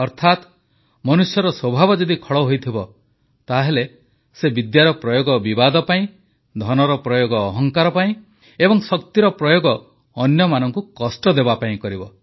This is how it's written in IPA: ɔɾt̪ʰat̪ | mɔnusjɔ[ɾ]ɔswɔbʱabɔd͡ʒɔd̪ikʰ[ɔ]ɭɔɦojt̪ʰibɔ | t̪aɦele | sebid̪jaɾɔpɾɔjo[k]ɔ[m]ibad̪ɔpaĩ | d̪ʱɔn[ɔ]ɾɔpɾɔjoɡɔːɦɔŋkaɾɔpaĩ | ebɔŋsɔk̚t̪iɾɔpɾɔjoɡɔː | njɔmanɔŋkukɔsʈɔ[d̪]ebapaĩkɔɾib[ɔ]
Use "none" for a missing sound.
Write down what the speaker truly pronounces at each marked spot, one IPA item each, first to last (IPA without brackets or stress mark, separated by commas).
ɾ, ɔ, ɡ, b, ɔ, d̪, ɔ